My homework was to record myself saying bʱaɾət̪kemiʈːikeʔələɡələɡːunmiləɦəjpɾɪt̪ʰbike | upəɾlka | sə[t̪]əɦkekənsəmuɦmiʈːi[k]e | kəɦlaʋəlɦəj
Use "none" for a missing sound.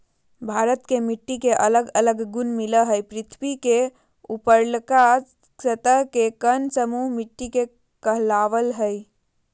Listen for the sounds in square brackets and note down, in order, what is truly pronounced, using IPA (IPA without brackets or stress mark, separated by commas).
t̪, k